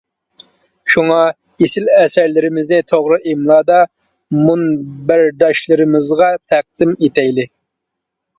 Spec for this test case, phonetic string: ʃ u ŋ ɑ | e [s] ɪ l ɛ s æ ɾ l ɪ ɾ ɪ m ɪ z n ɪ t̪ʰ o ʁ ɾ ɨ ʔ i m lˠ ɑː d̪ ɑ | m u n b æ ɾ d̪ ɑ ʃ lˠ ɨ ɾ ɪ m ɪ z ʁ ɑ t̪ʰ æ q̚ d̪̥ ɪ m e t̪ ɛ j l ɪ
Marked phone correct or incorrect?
correct